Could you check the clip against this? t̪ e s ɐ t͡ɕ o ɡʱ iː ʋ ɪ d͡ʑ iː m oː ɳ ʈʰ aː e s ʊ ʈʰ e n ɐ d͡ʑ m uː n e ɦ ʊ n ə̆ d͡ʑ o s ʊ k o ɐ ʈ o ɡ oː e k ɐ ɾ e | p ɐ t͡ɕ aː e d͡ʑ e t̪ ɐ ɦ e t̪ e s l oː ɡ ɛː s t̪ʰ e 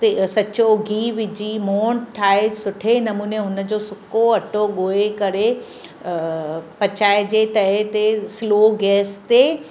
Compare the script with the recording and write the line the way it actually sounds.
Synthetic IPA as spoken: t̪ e s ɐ t͡ɕ o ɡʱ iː ʋ ɪ d͡ʑ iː m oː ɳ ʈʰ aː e s ʊ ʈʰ e n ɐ m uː n e ɦ ʊ n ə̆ d͡ʑ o s ʊ k o ɐ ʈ o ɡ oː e k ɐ ɾ e | p ɐ t͡ɕ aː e d͡ʑ e t̪ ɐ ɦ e t̪ e s l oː ɡ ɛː s t̪ e